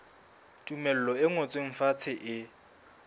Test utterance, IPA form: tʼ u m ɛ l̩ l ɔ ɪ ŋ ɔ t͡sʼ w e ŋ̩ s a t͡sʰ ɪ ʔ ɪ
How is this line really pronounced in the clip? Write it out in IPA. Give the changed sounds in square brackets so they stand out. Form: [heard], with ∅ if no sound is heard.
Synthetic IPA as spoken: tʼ u m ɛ l̩ l ɔ ɪ ŋ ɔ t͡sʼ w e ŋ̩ [f] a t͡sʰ ɪ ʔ ɪ